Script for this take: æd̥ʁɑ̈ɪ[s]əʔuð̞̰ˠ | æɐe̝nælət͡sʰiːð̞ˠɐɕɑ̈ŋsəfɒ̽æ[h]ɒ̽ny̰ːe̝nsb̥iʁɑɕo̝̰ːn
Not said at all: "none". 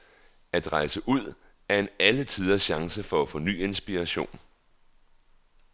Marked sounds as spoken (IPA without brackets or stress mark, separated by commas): s, f